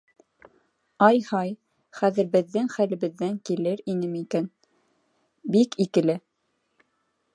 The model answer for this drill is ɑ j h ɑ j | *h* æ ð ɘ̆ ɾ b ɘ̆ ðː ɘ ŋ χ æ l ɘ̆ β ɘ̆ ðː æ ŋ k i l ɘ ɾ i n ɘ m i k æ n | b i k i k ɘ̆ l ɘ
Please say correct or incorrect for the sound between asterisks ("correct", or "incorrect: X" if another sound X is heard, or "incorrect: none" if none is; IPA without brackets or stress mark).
incorrect: χ